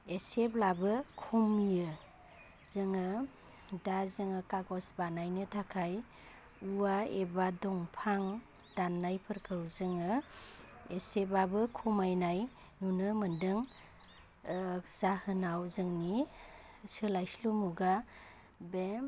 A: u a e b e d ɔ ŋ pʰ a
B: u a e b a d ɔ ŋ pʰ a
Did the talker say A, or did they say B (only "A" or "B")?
B